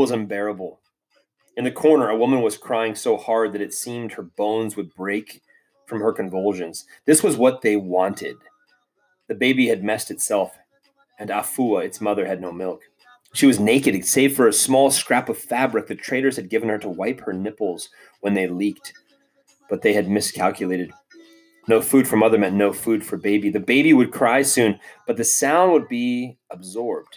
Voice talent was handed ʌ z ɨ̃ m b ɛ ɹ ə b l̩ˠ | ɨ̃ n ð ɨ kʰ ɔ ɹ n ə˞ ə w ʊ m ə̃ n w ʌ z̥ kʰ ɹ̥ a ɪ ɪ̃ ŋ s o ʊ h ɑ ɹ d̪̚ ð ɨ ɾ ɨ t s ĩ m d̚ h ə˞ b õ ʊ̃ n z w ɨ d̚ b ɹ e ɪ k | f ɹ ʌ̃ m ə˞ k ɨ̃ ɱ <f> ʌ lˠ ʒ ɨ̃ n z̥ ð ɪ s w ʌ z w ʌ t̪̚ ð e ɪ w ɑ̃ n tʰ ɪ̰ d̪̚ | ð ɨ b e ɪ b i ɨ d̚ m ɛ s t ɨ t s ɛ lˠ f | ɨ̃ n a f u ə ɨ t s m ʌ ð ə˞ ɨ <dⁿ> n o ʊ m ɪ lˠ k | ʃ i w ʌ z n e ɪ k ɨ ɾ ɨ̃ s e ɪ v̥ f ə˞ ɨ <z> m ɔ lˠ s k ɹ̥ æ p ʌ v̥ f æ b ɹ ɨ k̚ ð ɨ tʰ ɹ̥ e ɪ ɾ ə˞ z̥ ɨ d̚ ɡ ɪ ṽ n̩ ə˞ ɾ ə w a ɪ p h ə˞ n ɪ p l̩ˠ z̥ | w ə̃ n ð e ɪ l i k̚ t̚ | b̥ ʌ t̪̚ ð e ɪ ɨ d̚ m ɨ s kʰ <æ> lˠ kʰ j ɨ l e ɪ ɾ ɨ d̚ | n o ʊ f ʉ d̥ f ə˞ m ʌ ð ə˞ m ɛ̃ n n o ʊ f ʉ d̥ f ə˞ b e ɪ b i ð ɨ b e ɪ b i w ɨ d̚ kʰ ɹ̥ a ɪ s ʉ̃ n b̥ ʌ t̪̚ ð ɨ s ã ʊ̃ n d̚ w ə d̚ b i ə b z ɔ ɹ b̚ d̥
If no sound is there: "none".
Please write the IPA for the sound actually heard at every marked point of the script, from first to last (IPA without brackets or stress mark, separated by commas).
v, dⁿ, s, æ